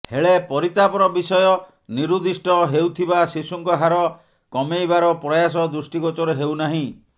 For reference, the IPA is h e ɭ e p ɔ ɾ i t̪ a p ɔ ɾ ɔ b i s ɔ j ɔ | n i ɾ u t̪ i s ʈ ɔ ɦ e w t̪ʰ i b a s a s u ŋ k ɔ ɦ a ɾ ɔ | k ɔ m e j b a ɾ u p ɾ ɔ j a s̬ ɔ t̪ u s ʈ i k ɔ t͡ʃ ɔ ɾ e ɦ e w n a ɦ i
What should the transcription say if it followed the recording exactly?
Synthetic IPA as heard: h e ɭ e p ɔ ɾ i t̪ a p ɔ ɾ ɔ b i s ɔ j ɔ | n i ɾ u d̪ i s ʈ ɔ ɦ e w t̪ʰ i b a s i s u ŋ k ɔ ɦ a ɾ ɔ | k ɔ m e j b a ɾ ɔ p ɾ ɔ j a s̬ ɔ d̪ u s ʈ i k ɔ t͡ʃ ɔ ɾ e ɦ e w n a ɦ ĩ

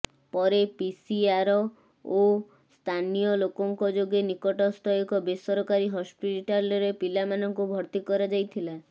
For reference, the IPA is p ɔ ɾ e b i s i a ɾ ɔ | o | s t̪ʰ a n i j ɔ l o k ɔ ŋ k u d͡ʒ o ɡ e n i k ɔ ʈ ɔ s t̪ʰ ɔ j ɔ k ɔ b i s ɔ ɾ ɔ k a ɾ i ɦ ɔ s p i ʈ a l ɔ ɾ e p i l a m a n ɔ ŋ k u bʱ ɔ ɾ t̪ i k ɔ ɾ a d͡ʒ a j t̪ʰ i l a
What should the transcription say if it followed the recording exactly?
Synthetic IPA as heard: p ɔ ɾ e p i s i a ɾ ɔ | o | s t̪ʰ a n i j ɔ l o k ɔ ŋ k ɔ d͡ʒ o ɡ e n i k ɔ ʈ ɔ s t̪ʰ ɔ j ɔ k ɔ b e s ɔ ɾ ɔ k a ɾ i ɦ ɔ s p i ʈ a l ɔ ɾ e p i l a m a n ɔ ŋ k u bʱ ɔ ɾ t̪ i k ɔ ɾ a d͡ʒ a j t̪ʰ i l a

